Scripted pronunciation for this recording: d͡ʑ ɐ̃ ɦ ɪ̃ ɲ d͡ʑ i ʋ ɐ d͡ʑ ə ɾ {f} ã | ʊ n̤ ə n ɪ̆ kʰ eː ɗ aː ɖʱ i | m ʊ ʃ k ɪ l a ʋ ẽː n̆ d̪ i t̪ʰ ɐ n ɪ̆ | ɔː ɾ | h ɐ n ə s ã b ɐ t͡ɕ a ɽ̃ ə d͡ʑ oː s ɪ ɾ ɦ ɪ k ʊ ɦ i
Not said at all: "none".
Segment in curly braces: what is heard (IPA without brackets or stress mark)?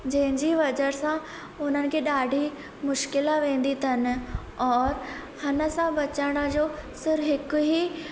s